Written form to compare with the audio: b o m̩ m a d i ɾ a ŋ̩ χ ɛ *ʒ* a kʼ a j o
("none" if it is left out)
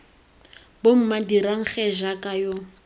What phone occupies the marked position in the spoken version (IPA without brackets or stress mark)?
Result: ʒ